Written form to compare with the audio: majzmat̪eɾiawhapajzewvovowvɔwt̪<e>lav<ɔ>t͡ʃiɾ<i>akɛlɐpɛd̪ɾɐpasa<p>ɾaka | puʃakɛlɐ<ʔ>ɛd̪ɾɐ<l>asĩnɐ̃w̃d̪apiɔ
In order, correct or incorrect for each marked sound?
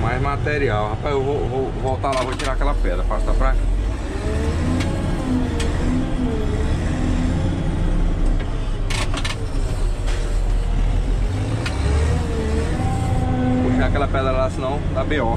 incorrect: a, incorrect: o, incorrect: a, correct, incorrect: p, correct

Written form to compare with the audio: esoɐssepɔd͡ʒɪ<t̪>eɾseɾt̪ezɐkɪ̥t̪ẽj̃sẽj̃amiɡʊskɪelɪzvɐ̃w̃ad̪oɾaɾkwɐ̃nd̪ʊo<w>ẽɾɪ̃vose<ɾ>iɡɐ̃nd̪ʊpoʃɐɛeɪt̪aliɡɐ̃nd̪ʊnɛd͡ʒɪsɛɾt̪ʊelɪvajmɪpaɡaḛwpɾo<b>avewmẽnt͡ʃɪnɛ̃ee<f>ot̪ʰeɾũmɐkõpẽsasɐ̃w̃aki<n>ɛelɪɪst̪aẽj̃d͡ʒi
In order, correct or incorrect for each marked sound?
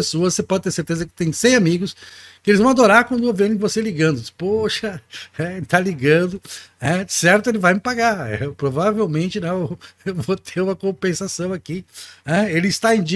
correct, incorrect: v, incorrect: l, incorrect: v, incorrect: v, correct

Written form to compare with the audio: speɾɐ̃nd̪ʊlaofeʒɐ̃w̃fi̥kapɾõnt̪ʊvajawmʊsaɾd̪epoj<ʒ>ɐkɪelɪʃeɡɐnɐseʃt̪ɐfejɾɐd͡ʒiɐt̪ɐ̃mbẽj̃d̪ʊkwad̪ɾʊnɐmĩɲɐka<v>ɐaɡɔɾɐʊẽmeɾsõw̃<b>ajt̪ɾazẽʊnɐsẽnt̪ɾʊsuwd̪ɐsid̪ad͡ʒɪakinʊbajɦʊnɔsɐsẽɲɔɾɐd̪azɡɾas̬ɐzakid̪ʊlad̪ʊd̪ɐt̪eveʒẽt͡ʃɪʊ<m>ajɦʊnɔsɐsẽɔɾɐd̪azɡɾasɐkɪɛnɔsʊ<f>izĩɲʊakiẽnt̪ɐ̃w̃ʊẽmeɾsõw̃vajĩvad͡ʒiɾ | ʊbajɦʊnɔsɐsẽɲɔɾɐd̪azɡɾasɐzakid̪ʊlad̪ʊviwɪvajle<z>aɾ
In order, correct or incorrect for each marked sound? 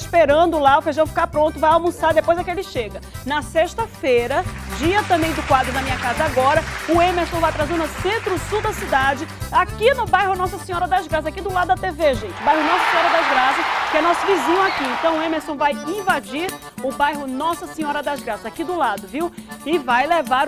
incorrect: z, incorrect: z, incorrect: v, incorrect: b, incorrect: v, incorrect: v

